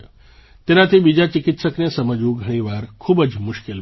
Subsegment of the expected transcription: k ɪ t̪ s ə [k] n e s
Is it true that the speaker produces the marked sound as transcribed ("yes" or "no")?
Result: yes